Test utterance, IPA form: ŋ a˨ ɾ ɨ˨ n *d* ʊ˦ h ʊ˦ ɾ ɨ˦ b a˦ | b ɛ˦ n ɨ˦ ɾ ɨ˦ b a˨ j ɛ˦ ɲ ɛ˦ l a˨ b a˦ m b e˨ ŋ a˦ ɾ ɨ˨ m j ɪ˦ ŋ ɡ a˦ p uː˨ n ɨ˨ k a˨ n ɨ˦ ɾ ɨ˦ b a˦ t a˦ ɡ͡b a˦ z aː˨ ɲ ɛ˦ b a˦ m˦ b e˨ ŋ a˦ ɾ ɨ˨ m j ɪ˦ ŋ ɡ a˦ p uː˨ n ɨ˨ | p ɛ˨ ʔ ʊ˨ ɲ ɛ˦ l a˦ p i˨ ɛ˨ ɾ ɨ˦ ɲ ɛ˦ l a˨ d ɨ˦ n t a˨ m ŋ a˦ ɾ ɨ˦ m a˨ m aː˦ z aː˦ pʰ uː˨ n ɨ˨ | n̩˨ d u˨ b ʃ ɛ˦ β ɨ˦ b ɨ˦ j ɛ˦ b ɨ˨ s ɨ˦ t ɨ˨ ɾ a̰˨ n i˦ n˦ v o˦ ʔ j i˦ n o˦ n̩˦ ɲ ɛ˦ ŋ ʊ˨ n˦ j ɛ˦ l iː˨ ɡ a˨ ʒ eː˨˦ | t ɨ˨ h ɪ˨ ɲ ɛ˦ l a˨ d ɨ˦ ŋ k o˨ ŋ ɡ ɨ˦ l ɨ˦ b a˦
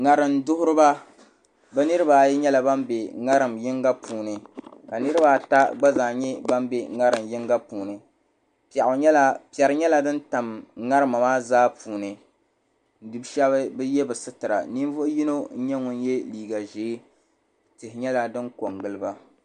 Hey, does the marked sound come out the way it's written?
yes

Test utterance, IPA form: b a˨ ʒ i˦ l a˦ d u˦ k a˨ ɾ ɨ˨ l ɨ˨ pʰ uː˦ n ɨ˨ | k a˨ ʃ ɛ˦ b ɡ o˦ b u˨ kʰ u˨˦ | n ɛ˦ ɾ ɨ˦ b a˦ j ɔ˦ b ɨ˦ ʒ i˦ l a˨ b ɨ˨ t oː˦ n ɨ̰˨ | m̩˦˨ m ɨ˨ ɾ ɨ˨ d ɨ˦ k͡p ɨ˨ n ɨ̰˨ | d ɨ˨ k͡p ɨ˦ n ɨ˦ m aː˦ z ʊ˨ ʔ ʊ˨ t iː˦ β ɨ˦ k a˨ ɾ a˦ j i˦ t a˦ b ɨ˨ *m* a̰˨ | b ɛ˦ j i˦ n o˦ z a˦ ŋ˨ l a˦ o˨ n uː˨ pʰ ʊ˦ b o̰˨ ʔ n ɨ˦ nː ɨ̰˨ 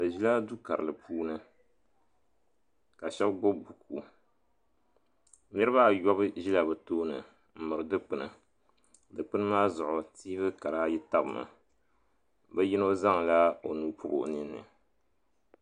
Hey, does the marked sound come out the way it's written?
yes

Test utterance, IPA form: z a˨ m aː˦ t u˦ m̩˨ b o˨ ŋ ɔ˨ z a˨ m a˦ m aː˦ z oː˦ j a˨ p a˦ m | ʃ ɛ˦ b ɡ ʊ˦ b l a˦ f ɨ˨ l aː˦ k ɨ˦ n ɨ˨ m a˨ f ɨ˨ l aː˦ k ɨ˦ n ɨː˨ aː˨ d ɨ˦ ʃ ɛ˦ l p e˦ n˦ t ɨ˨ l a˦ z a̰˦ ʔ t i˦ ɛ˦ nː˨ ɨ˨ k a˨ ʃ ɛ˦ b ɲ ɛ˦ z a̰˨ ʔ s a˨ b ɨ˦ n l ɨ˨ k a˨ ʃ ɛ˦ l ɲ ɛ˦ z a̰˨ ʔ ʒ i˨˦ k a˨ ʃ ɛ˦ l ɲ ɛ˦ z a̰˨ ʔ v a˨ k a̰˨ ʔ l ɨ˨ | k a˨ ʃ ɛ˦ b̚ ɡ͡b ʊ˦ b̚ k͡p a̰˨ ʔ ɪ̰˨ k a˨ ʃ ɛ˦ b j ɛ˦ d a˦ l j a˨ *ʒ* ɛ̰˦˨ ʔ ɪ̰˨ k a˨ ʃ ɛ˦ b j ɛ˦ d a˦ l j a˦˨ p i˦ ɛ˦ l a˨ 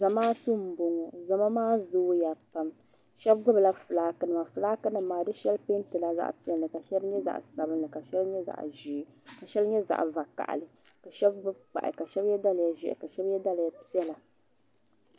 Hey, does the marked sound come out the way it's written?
yes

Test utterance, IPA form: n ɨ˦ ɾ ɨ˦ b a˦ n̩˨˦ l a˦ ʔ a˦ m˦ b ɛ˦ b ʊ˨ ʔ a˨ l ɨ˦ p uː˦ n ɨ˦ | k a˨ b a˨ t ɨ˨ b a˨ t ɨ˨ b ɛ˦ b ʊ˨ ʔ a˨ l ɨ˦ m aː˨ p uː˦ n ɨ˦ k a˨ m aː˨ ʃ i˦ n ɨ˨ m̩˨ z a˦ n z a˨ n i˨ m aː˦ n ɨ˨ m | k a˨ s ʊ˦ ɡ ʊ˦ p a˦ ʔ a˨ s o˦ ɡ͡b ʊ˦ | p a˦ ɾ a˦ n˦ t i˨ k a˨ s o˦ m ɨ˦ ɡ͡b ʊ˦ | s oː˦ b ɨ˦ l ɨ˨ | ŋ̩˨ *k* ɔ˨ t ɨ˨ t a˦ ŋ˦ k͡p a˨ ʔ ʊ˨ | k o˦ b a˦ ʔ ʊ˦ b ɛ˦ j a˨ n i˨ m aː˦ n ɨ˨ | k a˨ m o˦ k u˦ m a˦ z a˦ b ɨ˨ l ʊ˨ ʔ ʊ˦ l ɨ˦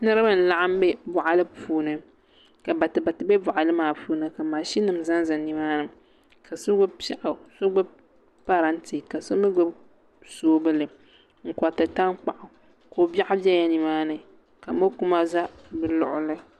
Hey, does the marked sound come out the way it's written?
yes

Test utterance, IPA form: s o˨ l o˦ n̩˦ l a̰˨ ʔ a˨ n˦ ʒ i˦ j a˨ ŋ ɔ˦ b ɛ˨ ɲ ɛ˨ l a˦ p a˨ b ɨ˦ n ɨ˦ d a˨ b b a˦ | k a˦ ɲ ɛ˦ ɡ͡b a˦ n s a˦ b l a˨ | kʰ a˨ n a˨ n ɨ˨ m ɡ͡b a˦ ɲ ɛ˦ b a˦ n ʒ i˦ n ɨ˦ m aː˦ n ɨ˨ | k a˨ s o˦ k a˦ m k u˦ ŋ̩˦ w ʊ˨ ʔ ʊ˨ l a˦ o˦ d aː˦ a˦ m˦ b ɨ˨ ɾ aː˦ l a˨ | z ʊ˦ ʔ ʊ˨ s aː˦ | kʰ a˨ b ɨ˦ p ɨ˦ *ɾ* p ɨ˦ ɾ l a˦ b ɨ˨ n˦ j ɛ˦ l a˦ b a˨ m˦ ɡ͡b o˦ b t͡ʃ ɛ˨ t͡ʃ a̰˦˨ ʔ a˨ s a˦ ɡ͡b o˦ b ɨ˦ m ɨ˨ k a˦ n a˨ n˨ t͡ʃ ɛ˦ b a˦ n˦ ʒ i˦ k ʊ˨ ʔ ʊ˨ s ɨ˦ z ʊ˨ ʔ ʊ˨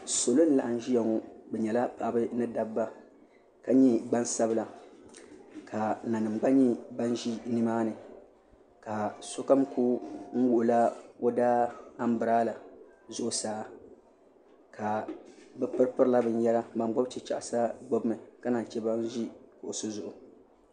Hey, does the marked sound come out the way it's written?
yes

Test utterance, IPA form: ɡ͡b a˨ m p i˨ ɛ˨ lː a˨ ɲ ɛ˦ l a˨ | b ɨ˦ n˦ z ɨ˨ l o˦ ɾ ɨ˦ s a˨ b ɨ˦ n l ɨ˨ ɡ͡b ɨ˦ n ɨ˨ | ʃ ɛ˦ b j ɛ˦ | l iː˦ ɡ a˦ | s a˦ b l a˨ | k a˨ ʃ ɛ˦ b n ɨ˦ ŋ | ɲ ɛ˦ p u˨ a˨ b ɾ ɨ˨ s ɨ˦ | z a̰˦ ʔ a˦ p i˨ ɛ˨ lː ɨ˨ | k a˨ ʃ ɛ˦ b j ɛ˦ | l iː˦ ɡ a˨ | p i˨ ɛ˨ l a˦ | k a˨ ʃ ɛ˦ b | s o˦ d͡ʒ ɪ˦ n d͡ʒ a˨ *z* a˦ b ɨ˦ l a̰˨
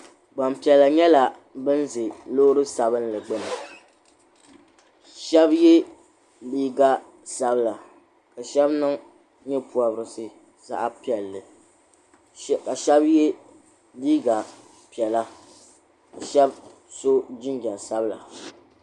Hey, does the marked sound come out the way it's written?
no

